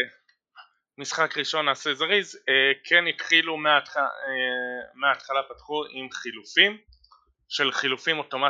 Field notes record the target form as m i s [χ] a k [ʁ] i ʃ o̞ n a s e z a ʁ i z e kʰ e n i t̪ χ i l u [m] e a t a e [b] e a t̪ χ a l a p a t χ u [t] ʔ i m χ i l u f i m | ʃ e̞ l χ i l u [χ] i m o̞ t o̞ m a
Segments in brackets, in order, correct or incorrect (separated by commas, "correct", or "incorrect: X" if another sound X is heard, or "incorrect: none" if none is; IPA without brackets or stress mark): correct, correct, correct, incorrect: m, incorrect: none, incorrect: f